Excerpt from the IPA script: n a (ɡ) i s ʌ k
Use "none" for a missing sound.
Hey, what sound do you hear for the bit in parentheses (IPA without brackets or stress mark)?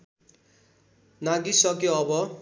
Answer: ɡ